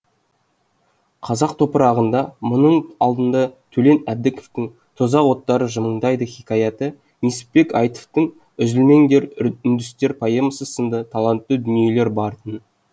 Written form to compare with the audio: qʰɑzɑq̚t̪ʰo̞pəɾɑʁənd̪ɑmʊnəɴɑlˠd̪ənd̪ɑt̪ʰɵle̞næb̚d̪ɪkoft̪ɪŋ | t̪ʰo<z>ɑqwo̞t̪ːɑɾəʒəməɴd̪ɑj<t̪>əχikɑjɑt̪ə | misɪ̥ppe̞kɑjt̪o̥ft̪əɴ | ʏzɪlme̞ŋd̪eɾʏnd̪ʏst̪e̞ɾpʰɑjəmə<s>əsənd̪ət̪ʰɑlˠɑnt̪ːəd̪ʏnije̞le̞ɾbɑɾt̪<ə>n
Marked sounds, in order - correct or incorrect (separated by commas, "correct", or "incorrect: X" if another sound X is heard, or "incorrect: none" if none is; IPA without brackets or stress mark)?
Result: correct, incorrect: d̪, correct, correct